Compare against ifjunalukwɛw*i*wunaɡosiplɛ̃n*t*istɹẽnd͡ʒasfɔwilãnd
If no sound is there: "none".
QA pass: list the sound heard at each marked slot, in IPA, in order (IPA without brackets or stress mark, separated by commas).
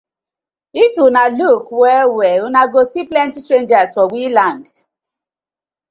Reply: ɛ, t